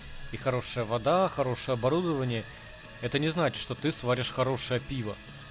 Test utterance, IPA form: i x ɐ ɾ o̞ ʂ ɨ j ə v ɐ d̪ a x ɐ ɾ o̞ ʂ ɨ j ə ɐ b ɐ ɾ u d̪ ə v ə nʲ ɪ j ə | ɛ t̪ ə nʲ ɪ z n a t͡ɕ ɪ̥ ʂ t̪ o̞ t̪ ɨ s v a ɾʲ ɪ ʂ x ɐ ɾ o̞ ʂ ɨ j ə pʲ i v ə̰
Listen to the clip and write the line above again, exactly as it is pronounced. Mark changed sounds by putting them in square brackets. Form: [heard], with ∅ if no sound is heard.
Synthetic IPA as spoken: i x ɐ ɾ o̞ ʂ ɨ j ə v ɐ d̪ a x ɐ ɾ o̞ ʂ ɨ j ə ɐ b ɐ ɾ u d̪ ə v ə nʲ ɪ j ə | ɛ t̪ ə nʲ ɪ z n a t͡ɕ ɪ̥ ʂ t̪ o̞ t̪ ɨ s v a ɾʲ ɪ ʂ x ɐ ɾ o̞ ʂ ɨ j ə pʲ i v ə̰